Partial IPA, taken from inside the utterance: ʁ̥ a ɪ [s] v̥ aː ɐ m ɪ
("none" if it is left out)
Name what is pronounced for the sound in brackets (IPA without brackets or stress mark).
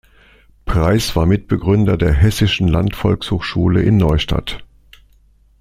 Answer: s